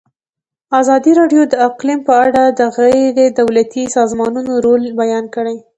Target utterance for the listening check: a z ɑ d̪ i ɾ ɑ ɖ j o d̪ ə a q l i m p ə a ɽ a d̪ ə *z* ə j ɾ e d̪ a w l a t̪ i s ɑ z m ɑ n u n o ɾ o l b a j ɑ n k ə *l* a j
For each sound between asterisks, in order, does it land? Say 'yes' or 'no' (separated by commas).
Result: no, no